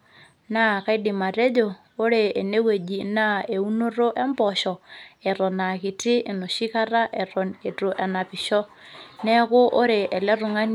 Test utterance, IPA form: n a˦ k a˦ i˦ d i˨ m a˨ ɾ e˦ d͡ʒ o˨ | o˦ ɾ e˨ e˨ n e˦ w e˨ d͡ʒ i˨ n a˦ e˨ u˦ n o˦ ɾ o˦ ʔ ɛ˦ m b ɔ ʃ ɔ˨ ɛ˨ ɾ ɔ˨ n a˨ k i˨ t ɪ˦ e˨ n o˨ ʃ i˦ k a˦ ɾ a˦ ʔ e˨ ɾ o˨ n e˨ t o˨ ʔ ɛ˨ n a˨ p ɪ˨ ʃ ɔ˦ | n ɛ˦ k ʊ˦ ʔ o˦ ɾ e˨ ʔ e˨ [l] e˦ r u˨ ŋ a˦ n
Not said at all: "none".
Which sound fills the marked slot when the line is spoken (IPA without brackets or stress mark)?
l